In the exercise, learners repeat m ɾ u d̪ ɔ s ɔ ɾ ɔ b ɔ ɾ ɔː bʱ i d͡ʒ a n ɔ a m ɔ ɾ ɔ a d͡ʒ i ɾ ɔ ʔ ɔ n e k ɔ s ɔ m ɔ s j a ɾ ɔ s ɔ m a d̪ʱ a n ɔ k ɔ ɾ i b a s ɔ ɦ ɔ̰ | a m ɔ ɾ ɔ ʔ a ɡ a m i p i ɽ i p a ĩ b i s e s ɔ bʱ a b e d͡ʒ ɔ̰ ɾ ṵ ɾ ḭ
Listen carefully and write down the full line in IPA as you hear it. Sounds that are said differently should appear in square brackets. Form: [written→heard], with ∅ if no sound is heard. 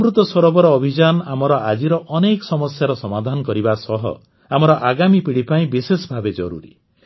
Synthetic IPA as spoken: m ɾ u [d̪→t̪] ɔ s ɔ ɾ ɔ b ɔ ɾ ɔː bʱ i d͡ʒ a n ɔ a m ɔ ɾ ɔ a d͡ʒ i ɾ ɔ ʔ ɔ n e k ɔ s ɔ m ɔ s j a ɾ ɔ s ɔ m a d̪ʱ a n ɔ k ɔ ɾ i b a s ɔ ɦ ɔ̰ | a m ɔ ɾ ɔ ʔ a ɡ a m i p i ɽ i p a ĩ b i s e s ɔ bʱ a b e d͡ʒ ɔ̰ ɾ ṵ ɾ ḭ

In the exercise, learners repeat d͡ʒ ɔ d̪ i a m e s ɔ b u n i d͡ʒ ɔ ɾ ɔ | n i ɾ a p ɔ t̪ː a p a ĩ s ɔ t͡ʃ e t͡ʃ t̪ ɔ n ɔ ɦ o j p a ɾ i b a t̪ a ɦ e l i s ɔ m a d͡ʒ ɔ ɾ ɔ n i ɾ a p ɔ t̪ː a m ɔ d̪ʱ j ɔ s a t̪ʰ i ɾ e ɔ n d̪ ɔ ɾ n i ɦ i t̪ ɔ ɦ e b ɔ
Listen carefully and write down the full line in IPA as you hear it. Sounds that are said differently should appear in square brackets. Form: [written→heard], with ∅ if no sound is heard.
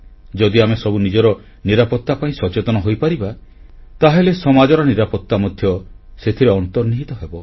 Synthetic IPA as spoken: d͡ʒ ɔ d̪ i a m e s ɔ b u n i d͡ʒ ɔ ɾ ɔ | n i ɾ a p ɔ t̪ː a p a ĩ s ɔ t͡ʃ e [t͡ʃ→∅] t̪ ɔ n ɔ ɦ o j p a ɾ i b a t̪ a ɦ e l [i→e] s ɔ m a d͡ʒ ɔ ɾ ɔ n i ɾ a p ɔ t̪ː a m ɔ d̪ʱ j ɔ s [a→e] t̪ʰ i ɾ e ɔ n [d̪→t̪] ɔ ɾ n i ɦ i t̪ ɔ ɦ e b ɔ

